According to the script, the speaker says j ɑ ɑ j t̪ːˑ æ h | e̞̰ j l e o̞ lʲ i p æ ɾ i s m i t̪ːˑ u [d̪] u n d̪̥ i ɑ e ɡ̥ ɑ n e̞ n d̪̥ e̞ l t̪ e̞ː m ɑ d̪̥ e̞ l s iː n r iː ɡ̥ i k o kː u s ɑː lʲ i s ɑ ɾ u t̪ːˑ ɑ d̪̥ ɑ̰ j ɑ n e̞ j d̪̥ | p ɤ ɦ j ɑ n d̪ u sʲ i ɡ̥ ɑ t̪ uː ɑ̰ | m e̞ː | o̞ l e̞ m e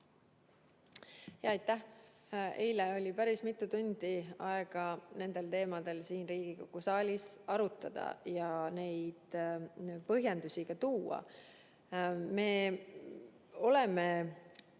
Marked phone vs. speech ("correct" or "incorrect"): incorrect